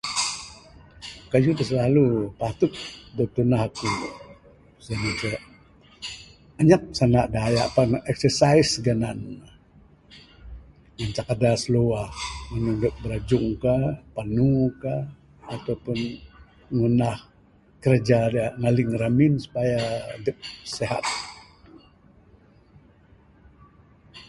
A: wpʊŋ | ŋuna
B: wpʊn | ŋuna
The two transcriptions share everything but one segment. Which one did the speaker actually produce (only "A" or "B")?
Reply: B